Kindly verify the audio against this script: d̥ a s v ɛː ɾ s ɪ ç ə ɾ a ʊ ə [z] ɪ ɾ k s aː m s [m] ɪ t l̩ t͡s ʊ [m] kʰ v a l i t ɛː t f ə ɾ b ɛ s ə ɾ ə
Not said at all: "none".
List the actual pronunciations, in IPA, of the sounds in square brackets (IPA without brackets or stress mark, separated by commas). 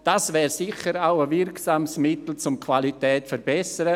v, m, m